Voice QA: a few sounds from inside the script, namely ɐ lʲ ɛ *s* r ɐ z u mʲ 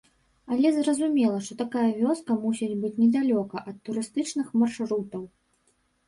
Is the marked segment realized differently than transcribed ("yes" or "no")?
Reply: yes